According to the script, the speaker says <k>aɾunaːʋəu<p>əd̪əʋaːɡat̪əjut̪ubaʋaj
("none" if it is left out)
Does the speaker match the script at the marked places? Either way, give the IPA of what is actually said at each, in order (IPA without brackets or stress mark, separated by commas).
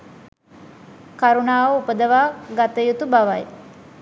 k, p